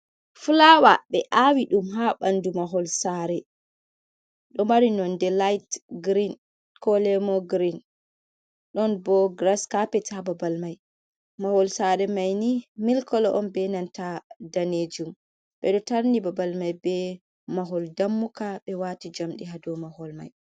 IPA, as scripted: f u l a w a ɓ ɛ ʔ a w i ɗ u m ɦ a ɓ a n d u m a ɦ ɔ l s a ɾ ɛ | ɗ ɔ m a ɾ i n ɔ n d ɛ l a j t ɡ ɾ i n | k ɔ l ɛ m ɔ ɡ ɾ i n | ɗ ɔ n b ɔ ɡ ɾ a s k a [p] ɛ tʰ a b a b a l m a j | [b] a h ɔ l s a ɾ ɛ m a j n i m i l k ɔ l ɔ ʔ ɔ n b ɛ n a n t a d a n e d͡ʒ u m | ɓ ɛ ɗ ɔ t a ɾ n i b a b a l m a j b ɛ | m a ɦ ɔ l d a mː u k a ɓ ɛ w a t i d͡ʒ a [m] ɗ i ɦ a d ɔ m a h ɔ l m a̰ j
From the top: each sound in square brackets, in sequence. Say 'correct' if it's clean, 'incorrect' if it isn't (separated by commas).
correct, incorrect, correct